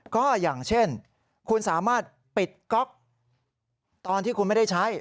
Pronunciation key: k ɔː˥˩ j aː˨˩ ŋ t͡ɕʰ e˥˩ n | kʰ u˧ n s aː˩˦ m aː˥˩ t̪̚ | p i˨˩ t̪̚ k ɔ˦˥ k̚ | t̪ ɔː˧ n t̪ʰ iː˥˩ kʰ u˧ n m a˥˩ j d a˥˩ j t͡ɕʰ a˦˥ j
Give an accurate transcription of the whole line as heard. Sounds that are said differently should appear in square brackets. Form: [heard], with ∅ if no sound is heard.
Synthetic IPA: k ɔː˥˩ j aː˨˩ ŋ t͡ɕʰ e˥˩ n | kʰ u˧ n s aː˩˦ m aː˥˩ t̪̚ | p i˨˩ t̪̚ k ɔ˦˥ k̚ | t̪ ɔː˧ n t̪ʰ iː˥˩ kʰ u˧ n m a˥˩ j d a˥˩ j t͡ɕʰ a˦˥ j